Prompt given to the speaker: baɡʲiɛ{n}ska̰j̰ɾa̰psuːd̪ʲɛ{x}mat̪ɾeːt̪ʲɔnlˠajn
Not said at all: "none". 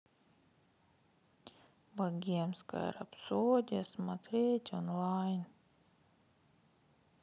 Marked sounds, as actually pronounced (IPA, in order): m, s

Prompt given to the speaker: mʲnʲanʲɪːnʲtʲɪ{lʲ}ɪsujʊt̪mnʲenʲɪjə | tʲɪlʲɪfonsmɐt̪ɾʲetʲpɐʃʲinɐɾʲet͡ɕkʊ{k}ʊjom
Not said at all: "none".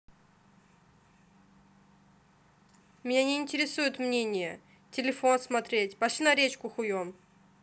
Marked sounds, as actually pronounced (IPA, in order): ɾʲ, x

